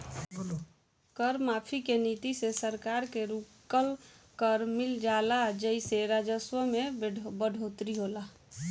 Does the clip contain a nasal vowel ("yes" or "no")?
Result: no